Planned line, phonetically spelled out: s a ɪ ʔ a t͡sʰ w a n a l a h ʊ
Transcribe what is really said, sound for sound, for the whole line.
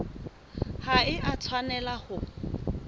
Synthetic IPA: h a ɪ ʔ a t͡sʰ w a n ɛ l a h ʊ